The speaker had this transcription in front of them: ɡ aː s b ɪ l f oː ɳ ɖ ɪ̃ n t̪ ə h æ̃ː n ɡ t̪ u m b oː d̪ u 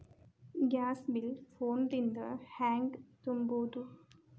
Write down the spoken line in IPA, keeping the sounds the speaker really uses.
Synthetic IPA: ɡ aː s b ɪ l f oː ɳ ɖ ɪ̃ n d̪ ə h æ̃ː ŋ ɡ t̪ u m b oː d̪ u